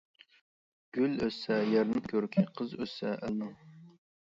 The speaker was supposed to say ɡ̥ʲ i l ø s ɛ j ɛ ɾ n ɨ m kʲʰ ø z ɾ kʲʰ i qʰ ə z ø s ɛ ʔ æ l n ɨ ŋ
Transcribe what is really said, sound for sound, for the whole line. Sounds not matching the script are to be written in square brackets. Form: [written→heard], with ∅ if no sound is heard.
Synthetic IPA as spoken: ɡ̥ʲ [i→y] l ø s ɛ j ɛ ɾ n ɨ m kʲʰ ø [z→∅] ɾ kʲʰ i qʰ ə z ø s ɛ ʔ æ l n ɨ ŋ

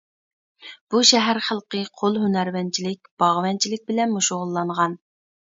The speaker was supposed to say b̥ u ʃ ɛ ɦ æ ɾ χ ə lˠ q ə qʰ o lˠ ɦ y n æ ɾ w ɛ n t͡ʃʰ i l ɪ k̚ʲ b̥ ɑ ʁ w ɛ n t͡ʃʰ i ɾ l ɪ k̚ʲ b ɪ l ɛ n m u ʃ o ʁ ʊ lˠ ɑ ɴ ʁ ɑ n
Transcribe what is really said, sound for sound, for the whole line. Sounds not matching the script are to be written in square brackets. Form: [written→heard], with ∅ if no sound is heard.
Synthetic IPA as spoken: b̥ u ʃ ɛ ɦ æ ɾ χ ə lˠ q ə qʰ o lˠ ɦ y n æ ɾ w ɛ n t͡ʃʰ i l ɪ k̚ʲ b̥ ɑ ʁ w ɛ n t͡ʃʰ i [ɾ→∅] l ɪ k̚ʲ b ɪ l ɛ n m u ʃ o ʁ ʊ [lˠ→lˠː] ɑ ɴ ʁ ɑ n

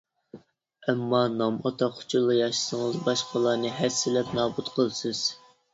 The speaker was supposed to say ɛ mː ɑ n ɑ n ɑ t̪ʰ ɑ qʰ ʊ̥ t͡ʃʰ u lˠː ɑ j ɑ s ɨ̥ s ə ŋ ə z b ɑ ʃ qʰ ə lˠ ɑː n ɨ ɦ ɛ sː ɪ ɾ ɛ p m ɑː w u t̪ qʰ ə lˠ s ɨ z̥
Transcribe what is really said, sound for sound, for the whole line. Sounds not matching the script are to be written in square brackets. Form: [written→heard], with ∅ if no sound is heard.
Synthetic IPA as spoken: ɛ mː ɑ n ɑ [n→m] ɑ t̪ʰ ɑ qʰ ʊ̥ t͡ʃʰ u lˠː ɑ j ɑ [s→ʃ] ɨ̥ s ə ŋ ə z b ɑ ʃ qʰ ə lˠ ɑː n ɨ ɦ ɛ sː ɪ [ɾ→l] ɛ p [m→n] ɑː [w→b] u t̪ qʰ ə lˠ s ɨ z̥

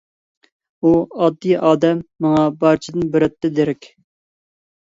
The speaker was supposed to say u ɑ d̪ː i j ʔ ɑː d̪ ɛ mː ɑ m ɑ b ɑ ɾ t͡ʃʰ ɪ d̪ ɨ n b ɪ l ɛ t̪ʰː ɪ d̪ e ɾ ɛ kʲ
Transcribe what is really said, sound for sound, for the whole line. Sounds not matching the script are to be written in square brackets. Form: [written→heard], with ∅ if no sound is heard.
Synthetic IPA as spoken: u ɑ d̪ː i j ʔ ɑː d̪ ɛ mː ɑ [m→ŋ] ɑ b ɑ ɾ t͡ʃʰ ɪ d̪ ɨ n b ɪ [l→ɾ] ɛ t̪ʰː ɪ d̪ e ɾ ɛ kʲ

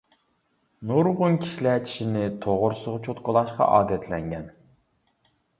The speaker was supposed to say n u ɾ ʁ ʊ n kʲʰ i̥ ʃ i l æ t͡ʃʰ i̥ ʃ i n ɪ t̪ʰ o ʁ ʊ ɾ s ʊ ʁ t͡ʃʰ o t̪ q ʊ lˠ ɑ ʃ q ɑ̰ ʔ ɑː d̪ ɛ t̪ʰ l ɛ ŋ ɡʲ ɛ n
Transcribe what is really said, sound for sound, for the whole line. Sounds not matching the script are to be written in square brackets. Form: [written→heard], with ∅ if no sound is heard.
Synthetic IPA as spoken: n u ɾ ʁ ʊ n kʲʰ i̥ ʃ i l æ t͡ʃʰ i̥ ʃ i n ɪ t̪ʰ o ʁ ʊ ɾ s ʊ ʁ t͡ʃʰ o t̪ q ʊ lˠ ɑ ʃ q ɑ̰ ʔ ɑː d̪ ɛ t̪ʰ l ɛ ŋ ɡʲ ɛ n

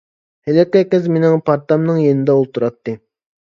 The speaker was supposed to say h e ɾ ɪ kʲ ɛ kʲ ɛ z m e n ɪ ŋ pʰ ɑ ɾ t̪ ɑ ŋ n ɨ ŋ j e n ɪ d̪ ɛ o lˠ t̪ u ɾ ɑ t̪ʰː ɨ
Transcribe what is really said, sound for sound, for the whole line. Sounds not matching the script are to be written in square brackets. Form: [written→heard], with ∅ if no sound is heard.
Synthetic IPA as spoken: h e [ɾ→l] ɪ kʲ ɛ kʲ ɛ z m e n ɪ ŋ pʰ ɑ ɾ t̪ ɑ [ŋ→m] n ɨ ŋ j e n ɪ d̪ ɛ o lˠ t̪ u ɾ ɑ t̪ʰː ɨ

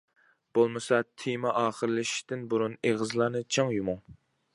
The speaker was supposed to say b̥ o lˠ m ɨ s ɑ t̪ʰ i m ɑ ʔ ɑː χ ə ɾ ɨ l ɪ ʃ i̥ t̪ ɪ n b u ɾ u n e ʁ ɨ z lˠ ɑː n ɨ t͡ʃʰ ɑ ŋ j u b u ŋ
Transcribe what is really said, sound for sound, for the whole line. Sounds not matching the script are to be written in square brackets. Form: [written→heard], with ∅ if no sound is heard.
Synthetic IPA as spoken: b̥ o lˠ m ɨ s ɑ t̪ʰ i m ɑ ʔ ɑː χ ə ɾ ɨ l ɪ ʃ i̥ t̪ ɪ n b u ɾ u n e ʁ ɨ z lˠ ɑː n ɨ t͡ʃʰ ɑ ŋ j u [b→m] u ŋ

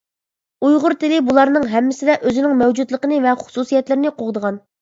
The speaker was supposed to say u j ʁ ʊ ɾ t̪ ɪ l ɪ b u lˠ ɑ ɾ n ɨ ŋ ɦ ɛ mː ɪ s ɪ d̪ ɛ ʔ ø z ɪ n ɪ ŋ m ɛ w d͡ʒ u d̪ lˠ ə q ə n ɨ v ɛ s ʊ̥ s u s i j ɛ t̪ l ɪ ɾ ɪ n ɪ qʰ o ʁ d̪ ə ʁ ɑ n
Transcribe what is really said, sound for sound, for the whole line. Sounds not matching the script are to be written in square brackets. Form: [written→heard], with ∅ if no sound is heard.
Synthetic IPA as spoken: u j ʁ ʊ ɾ t̪ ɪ l ɪ b u lˠ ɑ ɾ n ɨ ŋ ɦ ɛ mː ɪ s ɪ d̪ ɛ ʔ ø z ɪ n ɪ ŋ m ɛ w d͡ʒ u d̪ lˠ ə q ə n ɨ v ɛ [s→χ] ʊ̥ s u s i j ɛ t̪ l ɪ ɾ ɪ n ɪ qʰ o ʁ d̪ ə ʁ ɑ n

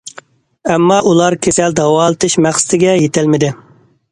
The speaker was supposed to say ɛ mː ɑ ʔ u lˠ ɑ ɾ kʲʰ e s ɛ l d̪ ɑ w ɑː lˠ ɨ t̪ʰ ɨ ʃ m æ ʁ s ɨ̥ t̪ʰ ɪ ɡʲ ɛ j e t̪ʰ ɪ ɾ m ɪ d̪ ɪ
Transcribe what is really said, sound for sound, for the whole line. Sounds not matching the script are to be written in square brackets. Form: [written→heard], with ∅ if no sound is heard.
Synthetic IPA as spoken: ɛ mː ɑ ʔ u lˠ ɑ ɾ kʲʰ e s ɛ l d̪ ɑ w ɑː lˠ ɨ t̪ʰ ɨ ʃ m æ [ʁ→χ] s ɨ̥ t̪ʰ ɪ ɡʲ ɛ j e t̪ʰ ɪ [ɾ→l] m ɪ d̪ ɪ

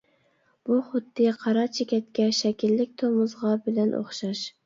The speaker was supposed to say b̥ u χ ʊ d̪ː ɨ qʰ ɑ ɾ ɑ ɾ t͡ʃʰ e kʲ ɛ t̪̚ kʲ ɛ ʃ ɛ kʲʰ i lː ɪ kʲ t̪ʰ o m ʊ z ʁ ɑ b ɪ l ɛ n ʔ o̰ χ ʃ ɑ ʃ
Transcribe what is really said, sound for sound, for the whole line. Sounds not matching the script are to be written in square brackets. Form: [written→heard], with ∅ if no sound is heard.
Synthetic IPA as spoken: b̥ u χ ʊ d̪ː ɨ qʰ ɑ ɾ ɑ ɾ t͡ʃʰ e kʲ ɛ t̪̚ kʲ ɛ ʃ ɛ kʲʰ i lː ɪ kʲ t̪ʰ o m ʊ z ʁ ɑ b ɪ l ɛ n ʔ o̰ χ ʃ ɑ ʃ

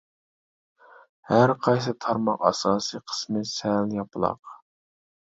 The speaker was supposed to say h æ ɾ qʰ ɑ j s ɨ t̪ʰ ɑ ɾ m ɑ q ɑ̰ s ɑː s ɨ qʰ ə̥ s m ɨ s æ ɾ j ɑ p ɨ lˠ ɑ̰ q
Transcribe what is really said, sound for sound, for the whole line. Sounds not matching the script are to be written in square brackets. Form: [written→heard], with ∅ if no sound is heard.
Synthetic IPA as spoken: h æ ɾ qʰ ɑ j s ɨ t̪ʰ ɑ ɾ m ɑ q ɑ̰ s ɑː s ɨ qʰ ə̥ s m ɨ s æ [ɾ→l] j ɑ p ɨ lˠ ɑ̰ q

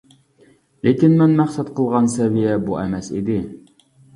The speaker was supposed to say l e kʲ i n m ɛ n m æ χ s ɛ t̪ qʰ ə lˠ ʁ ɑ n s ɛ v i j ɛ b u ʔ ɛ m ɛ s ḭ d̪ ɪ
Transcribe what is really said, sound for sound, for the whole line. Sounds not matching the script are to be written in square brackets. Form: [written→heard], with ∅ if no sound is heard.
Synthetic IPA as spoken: l e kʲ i n m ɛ n m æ χ s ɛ t̪ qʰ ə lˠ ʁ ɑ n s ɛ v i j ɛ b u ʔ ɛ m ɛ s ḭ d̪ ɪ

